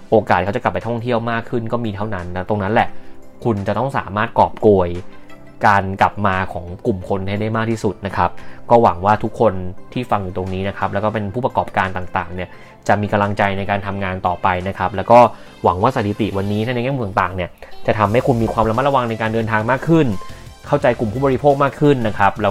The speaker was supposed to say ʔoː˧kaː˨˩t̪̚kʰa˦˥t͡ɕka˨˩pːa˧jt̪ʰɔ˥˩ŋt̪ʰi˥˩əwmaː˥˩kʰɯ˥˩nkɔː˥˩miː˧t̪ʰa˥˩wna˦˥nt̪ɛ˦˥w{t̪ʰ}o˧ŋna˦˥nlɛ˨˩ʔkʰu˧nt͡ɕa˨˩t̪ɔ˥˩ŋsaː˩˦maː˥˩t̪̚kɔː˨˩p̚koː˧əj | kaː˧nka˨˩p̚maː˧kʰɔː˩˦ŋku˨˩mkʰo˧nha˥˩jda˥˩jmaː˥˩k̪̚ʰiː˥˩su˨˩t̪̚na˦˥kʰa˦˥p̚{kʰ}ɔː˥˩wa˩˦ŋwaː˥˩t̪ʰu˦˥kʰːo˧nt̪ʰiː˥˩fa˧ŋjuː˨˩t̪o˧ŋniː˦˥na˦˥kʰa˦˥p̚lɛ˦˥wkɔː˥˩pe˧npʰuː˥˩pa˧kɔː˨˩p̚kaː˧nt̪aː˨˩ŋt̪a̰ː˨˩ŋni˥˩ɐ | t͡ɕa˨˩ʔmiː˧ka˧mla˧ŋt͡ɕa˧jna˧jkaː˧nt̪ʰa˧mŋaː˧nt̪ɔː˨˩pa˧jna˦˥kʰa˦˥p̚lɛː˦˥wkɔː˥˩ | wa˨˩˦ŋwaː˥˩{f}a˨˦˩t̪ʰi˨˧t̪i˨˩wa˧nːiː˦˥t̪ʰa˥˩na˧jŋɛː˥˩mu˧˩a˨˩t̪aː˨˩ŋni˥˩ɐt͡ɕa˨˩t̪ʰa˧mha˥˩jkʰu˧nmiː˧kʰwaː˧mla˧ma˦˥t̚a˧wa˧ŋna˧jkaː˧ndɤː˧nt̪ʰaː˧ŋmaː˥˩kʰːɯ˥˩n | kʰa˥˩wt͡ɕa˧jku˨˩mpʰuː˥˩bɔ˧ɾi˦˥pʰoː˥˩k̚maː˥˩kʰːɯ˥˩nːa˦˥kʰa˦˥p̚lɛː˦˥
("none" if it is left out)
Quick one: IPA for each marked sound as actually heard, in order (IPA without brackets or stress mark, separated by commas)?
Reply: t̪, k, s